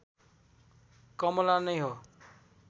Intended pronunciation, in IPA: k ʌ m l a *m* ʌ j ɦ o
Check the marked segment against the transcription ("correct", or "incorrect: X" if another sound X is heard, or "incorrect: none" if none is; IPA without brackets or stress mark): incorrect: n